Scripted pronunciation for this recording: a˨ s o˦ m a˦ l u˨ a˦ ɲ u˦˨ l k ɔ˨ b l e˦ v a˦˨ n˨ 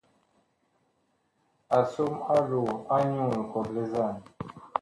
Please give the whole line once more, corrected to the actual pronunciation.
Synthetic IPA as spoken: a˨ s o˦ m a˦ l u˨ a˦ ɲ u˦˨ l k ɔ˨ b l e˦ z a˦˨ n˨

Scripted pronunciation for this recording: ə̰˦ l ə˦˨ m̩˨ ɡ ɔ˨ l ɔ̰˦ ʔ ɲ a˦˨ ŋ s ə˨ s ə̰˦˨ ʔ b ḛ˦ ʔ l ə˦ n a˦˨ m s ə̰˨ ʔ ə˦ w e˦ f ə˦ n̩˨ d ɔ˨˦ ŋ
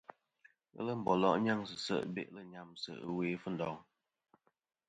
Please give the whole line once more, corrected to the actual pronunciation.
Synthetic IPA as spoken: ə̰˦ l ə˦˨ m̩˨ b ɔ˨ l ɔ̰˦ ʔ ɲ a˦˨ ŋ s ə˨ s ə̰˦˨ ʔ b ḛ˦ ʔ l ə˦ ɲ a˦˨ m s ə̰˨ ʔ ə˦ w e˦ f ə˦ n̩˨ d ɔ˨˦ ŋ

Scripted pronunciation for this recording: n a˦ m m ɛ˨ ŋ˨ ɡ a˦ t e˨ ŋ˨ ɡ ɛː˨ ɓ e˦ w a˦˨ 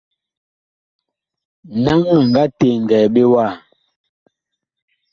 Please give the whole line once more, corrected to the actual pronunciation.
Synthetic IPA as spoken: n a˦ ŋ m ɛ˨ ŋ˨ ɡ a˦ t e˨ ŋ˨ ɡ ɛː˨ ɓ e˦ w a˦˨

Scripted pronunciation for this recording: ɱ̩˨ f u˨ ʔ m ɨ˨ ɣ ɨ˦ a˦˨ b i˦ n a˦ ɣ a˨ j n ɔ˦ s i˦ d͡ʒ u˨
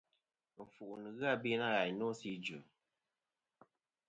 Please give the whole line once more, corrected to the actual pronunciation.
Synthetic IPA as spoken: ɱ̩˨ f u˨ ʔ n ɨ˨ ɣ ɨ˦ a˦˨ b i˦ n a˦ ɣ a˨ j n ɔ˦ s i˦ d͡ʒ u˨

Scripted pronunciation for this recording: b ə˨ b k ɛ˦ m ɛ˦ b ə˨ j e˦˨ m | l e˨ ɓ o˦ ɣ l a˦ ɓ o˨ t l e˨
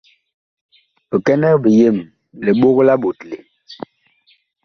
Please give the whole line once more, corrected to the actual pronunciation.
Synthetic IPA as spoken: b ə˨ k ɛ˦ n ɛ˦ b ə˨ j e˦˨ m | l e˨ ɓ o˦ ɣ l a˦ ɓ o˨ t l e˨

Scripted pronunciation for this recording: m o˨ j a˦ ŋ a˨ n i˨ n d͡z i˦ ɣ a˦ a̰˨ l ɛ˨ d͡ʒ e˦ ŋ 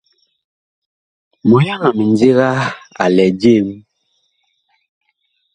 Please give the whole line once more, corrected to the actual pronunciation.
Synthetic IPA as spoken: m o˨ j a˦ ŋ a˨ m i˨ n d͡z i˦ ɣ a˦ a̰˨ l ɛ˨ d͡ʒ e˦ m

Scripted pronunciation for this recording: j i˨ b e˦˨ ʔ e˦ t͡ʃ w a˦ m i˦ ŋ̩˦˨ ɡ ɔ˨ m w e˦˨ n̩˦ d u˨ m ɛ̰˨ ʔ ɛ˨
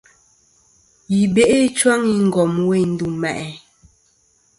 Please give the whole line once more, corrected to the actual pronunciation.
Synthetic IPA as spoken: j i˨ b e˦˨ ʔ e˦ t͡ʃ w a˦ ŋ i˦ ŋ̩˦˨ ɡ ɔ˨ m w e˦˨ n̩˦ d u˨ m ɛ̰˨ ʔ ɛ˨

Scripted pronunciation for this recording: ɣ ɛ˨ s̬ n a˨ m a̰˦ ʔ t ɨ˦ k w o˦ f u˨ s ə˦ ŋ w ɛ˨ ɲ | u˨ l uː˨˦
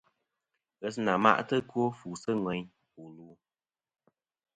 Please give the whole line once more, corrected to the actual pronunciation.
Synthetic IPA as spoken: ɣ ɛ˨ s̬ n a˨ m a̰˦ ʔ t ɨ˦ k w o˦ f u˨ s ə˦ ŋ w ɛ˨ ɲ | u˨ l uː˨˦

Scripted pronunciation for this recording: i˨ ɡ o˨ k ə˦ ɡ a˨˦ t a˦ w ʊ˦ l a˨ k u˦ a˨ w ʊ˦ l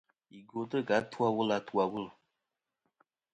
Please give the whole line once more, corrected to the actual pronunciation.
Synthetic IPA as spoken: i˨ ɡ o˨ t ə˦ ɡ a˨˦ t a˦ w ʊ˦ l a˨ t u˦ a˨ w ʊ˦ l

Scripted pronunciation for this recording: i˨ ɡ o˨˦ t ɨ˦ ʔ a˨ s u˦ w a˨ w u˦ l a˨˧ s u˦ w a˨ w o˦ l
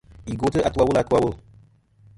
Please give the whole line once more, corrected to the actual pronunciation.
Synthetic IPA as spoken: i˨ ɡ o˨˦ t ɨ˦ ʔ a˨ t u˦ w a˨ w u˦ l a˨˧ t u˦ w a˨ w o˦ l

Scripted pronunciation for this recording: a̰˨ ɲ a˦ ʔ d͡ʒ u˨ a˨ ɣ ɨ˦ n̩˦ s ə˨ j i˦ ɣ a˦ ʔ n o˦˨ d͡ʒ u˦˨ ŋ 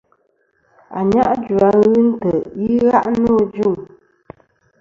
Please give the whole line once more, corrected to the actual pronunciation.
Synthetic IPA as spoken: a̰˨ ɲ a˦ ʔ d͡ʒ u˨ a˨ ɣ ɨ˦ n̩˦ t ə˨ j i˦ ɣ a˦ ʔ n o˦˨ d͡ʒ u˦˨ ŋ

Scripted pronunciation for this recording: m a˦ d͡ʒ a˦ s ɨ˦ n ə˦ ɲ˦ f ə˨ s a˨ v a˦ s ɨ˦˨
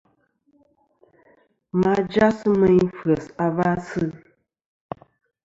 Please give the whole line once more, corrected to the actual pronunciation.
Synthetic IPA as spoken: m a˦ d͡ʒ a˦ s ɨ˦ m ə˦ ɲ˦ f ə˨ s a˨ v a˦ s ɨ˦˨

